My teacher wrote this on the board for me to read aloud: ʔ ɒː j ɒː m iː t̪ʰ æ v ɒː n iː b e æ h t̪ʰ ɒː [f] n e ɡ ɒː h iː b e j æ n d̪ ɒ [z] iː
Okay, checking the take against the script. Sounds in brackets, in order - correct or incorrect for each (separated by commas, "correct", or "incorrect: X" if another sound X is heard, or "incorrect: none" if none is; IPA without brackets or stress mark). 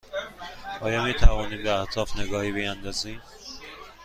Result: correct, correct